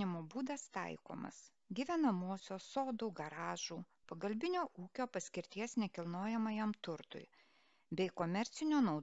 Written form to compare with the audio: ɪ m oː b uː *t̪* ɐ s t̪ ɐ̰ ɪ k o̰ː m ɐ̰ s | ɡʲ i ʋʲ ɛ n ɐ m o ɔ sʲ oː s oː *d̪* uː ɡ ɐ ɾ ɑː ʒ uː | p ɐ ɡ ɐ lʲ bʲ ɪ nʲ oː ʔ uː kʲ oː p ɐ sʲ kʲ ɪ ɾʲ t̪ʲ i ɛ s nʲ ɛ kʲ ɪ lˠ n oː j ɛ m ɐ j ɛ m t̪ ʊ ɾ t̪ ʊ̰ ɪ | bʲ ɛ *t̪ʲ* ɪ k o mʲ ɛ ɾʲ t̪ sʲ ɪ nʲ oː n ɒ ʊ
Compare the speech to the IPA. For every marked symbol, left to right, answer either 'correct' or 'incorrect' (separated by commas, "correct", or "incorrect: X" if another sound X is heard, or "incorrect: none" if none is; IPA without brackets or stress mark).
incorrect: d̪, correct, incorrect: none